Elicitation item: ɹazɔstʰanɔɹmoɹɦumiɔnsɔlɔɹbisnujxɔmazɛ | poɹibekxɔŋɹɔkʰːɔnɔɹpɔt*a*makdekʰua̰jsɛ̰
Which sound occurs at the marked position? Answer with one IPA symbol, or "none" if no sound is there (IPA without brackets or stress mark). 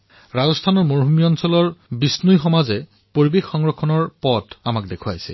a